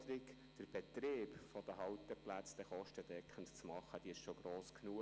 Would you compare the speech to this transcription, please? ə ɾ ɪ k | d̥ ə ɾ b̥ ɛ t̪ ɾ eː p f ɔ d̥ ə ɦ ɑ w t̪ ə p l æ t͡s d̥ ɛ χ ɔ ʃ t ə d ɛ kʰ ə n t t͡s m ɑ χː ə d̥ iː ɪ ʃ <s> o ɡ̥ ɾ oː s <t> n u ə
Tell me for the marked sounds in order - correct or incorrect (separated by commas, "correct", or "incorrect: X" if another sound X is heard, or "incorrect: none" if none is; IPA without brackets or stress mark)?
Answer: incorrect: ʃ, incorrect: k